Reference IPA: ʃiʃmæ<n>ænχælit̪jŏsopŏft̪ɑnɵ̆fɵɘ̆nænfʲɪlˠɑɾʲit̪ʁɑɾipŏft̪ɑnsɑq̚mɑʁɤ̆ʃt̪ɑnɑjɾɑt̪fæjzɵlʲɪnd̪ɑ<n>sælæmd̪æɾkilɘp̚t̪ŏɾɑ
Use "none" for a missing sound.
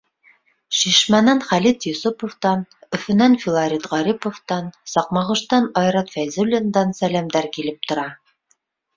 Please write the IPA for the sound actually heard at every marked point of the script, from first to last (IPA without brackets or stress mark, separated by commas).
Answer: n, n